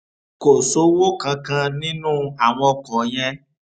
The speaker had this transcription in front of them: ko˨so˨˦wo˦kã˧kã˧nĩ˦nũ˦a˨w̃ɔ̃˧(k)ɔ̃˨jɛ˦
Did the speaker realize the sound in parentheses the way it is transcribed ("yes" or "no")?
yes